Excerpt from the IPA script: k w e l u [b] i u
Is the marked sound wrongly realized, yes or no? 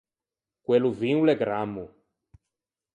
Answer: yes